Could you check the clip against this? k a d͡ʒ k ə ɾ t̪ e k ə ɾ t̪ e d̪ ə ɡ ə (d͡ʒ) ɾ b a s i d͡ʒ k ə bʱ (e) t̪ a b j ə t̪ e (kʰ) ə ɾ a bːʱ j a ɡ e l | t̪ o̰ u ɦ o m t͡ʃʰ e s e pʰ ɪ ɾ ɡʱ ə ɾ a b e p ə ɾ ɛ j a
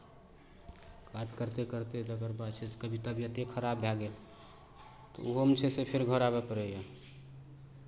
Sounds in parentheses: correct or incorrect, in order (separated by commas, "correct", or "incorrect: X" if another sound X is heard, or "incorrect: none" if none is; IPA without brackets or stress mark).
incorrect: none, incorrect: i, correct